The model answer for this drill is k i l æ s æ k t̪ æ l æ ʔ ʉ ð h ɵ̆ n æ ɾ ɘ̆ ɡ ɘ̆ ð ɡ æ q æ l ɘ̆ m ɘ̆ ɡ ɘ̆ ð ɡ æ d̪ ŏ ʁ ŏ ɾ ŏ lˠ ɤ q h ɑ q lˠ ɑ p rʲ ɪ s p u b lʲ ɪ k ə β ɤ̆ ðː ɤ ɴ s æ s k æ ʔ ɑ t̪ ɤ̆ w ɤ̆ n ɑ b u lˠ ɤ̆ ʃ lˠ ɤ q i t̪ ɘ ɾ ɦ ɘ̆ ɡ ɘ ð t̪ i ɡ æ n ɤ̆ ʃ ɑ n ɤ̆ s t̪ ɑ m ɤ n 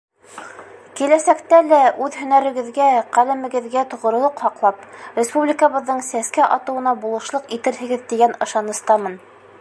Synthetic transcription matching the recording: k i l æ s æ k t̪ æ l æ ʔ ʉ ð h ɵ̆ n æ ɾ ɘ̆ ɡ ɘ̆ ð ɡ æ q æ l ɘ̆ m ɘ̆ ɡ ɘ̆ ð ɡ æ t̪ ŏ ʁ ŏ ɾ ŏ lˠ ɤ q h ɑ q lˠ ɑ p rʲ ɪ s p u b lʲ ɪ k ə β ɤ̆ ðː ɤ ɴ s æ s k æ ʔ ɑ t̪ ɤ̆ w ɤ̆ n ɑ b u lˠ ɤ̆ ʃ lˠ ɤ q i t̪ ɘ ɾ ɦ ɘ̆ ɡ ɘ ð t̪ i ɡ æ n ɤ̆ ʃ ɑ n ɤ̆ s t̪ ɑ m ɤ n

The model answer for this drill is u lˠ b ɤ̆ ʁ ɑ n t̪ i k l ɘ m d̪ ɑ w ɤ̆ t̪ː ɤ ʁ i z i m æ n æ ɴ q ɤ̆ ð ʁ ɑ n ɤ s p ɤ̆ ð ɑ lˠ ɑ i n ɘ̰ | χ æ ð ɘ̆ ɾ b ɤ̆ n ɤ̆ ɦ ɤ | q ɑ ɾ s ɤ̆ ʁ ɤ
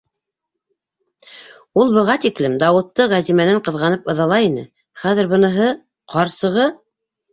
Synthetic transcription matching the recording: u lˠ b ɤ̆ ʁ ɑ t̪ i k l ɘ m d̪ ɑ w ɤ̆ t̪ː ɤ ʁ æ z i m æ n æ ɴ q ɤ̆ ð ʁ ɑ n ɤ p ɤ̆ ð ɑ lˠ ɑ i n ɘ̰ | χ æ ð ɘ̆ ɾ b ɤ̆ n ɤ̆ ɦ ɤ | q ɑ ɾ s ɤ̆ ʁ ɤ

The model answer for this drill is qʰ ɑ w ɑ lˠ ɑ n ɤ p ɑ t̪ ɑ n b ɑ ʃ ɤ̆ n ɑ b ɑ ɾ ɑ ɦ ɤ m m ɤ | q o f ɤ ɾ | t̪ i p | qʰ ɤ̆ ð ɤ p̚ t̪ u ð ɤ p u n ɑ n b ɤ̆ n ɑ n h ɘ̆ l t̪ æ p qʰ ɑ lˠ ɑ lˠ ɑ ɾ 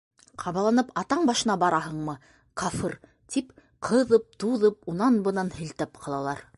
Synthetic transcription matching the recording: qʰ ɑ β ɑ lˠ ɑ n ɤ p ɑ t̪ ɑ ɴ b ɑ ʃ ɤ̆ n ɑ b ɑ ɾ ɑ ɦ ɤ ɴ m ɤ | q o f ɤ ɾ | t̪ i p | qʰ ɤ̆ ð ɤ p̚ t̪ u ð ɤ p u n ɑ n b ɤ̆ n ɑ n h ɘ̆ l t̪ æ p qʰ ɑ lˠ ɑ lˠ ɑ ɾ

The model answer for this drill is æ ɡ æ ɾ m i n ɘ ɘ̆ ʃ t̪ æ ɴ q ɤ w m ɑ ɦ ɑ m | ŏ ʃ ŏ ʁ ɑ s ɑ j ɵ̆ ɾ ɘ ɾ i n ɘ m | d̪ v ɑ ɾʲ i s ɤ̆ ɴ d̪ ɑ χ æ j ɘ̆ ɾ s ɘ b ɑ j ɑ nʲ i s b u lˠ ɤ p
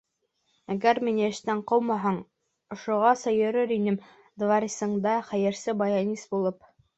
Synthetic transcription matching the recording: æ ɡ æ ɾ m i n ɘ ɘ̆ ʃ t̪ æ ɴ q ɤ w m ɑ ɦ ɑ ɴ | ŏ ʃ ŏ ʁ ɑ s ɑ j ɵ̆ ɾ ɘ ɾ i n ɘ m | d̪ v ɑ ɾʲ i s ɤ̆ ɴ d̪ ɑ χ æ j ɘ̆ ɾ s ɘ b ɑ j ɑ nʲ i s b u lˠ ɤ p

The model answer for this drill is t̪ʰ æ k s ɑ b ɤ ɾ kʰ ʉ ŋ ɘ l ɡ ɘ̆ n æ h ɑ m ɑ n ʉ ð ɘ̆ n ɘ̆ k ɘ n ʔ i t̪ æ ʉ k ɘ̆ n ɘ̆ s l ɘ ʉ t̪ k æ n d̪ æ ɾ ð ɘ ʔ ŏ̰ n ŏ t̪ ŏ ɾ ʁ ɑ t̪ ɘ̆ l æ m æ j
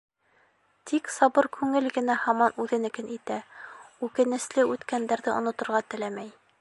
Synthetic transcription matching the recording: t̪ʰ i k s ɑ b ɤ ɾ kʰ ʉ ŋ ɘ l ɡ ɘ̆ n æ h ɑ m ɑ n ʉ ð ɘ̆ n ɘ̆ k ɘ n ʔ i t̪ æ ʉ k ɘ̆ n ɘ̆ s l ɘ ʉ t̪ k æ n d̪ æ ɾ ð ɘ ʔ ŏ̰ n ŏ t̪ ŏ ɾ ʁ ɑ t̪ ɘ̆ l æ m æ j

